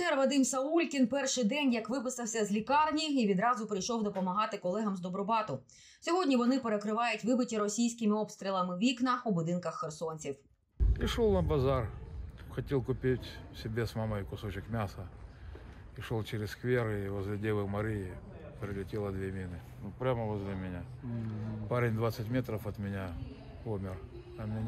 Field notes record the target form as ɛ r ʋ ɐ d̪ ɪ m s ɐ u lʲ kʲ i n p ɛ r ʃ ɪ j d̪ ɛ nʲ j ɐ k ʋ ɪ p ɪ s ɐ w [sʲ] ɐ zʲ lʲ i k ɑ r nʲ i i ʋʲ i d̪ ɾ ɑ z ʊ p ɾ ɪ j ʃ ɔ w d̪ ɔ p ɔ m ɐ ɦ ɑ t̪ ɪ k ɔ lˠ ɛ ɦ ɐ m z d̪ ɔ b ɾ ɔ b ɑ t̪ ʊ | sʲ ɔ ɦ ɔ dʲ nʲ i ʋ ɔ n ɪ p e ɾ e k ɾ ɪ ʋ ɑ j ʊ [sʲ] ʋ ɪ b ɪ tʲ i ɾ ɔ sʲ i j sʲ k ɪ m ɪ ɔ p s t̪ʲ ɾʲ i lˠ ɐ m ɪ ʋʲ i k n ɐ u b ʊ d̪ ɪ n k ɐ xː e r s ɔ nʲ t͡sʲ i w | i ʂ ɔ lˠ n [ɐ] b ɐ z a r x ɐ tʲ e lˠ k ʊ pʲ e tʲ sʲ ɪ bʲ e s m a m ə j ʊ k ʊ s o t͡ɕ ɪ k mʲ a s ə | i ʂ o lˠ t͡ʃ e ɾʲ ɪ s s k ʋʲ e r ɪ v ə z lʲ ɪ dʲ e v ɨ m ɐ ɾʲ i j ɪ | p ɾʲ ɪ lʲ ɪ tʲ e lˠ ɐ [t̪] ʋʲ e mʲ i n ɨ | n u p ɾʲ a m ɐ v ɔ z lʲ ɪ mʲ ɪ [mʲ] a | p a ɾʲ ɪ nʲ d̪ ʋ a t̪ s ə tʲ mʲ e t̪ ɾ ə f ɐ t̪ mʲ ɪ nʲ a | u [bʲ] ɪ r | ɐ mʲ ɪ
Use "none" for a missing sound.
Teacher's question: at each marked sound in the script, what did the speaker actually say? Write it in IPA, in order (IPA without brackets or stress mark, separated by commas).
sʲ, tʲ, ɐ, d̪, nʲ, mʲ